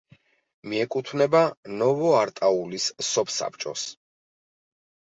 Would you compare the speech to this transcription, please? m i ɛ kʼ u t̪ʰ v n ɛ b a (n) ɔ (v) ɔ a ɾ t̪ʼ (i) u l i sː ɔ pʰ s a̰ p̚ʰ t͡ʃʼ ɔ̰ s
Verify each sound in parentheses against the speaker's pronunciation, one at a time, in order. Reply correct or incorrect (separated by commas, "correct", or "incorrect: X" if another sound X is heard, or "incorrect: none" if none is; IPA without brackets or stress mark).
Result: correct, correct, incorrect: a